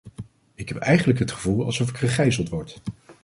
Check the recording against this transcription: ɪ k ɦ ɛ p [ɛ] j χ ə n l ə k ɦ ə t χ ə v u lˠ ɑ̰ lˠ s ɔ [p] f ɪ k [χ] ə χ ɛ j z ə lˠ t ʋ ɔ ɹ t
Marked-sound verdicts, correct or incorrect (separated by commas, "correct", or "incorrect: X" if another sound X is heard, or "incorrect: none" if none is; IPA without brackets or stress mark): correct, incorrect: none, correct